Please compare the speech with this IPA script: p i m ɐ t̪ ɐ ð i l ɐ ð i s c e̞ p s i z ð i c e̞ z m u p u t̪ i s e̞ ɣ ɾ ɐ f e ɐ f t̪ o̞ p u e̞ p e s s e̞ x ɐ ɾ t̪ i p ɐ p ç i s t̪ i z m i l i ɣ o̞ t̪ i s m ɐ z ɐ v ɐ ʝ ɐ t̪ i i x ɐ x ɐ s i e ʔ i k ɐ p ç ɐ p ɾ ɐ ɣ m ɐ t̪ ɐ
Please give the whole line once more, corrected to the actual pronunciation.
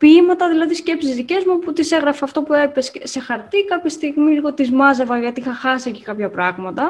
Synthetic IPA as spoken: p i m ɐ t̪ ɐ ð i l ɐ ð i s c e̞ p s i z ð i c e̞ z m u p u t̪ i s e̞ ɣ ɾ ɐ f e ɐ f t̪ o̞ p u e̞ p e s s e̞ x ɐ ɾ t̪ i k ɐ p ç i s t̪ i ɣ m i l i ɣ o̞ t̪ i z m ɐ z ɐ v ɐ ʝ ɐ t̪ i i x ɐ x ɐ s i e c i k ɐ p ç ɐ p ɾ ɐ ɣ m ɐ t̪ ɐ